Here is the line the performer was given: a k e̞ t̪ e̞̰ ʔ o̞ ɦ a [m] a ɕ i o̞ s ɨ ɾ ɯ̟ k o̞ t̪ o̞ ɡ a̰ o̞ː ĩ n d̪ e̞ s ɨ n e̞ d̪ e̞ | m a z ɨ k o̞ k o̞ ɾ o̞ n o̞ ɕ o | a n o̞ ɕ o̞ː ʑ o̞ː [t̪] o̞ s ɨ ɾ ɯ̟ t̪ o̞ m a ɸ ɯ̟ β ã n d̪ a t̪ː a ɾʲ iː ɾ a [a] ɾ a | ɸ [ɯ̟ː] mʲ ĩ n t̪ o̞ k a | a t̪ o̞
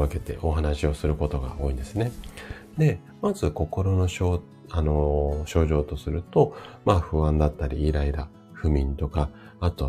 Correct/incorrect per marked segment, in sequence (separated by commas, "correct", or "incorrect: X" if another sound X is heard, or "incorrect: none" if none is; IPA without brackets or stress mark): incorrect: n, correct, incorrect: i, incorrect: ɯ̟